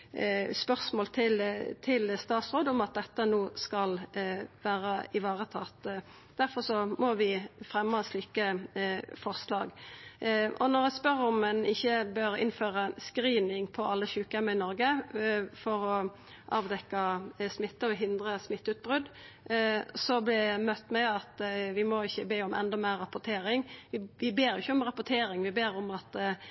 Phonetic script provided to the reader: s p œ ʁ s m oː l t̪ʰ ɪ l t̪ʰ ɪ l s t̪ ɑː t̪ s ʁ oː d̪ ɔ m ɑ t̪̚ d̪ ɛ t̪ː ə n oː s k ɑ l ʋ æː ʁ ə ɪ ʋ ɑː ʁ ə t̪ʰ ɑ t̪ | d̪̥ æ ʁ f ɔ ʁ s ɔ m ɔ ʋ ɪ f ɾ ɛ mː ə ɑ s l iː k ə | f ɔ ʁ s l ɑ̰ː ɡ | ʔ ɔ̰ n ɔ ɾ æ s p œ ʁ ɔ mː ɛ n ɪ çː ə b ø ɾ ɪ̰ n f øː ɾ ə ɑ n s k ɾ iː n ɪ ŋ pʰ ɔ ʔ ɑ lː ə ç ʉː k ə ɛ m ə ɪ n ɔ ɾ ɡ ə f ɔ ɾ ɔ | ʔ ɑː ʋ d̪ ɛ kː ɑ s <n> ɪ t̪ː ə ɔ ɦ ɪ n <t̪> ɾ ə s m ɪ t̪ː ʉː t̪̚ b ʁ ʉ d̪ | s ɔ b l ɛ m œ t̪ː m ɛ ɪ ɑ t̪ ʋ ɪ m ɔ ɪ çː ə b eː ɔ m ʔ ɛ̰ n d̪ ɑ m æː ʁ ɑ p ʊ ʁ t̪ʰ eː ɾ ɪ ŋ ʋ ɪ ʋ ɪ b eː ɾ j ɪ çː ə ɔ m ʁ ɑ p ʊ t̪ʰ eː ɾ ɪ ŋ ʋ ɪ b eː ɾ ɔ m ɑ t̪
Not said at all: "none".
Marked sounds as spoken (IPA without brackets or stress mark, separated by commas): m, d̪